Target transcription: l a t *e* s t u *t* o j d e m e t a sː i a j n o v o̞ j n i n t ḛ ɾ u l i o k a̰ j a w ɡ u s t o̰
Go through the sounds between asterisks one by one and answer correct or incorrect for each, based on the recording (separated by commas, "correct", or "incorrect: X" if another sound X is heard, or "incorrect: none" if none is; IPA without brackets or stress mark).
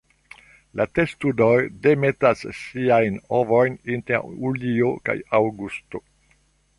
correct, incorrect: d